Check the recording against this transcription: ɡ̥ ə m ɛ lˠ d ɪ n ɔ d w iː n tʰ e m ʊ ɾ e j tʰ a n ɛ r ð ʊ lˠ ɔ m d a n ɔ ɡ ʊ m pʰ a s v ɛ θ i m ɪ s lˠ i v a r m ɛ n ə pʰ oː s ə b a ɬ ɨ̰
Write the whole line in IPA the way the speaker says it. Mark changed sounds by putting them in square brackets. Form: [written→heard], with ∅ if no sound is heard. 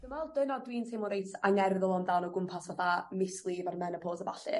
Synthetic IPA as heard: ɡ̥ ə m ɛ lˠ d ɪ n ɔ d w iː n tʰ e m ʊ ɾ e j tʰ a [n→ŋ] ɛ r ð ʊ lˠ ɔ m d a n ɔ ɡ ʊ m pʰ a s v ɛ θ [i→a] m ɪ s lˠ i v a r m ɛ n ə pʰ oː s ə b a ɬ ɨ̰